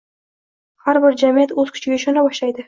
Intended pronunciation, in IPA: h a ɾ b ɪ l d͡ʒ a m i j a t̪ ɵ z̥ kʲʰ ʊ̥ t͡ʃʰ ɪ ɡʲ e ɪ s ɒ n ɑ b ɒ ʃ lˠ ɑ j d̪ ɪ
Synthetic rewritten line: h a ɾ b ɪ ɾ d͡ʒ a m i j a t̪ ɵ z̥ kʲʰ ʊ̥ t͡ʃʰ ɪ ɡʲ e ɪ ʃ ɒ n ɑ b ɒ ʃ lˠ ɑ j d̪ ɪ